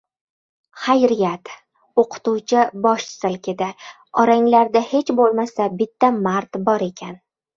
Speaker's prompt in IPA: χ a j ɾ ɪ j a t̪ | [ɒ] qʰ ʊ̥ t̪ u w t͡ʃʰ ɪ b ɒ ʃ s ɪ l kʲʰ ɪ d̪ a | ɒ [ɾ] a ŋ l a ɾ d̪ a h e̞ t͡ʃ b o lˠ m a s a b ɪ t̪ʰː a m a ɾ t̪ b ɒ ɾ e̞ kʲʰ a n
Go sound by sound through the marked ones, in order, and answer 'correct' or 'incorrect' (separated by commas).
incorrect, correct